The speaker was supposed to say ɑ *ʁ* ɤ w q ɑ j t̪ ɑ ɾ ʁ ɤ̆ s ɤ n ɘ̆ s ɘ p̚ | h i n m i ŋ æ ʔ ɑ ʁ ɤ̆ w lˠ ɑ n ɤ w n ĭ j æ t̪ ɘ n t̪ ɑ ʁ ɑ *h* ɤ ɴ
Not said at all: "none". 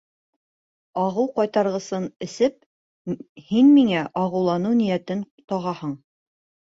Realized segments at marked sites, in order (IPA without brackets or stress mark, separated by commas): ʁ, h